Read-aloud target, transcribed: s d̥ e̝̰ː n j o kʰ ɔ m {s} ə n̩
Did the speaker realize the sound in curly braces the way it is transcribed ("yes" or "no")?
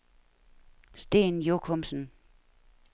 yes